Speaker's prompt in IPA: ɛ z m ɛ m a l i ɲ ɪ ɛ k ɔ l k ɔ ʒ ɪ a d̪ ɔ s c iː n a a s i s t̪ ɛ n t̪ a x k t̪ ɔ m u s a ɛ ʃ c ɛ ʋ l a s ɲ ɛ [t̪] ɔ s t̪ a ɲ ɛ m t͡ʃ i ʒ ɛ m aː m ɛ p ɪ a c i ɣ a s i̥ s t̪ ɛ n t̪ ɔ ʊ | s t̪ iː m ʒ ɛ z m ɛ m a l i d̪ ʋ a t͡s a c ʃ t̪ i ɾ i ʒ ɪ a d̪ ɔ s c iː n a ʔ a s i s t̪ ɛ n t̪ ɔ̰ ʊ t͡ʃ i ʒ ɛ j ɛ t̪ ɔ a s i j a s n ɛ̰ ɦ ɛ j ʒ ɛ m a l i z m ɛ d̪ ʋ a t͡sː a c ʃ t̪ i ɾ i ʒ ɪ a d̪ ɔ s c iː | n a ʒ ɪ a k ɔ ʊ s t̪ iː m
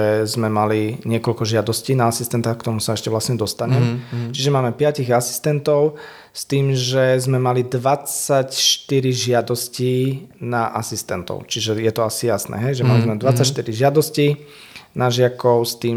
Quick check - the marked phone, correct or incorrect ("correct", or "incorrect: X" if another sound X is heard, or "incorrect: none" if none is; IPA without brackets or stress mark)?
incorrect: d̪